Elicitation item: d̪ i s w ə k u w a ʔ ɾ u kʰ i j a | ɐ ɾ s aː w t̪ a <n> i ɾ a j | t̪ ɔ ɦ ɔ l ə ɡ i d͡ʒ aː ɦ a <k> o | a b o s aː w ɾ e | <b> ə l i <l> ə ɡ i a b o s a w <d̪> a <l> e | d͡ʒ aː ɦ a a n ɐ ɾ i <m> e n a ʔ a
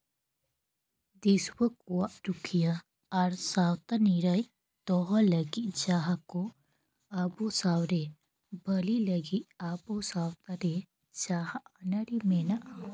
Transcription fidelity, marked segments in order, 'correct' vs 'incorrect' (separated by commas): correct, correct, correct, correct, incorrect, incorrect, correct